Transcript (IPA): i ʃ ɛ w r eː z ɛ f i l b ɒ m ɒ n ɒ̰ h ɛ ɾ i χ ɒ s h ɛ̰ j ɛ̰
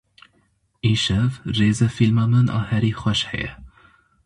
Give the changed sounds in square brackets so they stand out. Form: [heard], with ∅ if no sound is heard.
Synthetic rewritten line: i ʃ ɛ [v] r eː z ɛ f i l [m] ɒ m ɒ n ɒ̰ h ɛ ɾ i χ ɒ [ʃ] h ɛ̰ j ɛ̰